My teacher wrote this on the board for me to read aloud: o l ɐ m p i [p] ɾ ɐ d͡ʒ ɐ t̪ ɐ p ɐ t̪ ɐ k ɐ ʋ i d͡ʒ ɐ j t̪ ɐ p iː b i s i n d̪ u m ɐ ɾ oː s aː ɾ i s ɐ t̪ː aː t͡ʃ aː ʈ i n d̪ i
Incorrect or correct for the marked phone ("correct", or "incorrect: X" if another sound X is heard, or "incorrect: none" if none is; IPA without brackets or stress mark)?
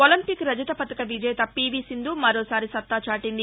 incorrect: k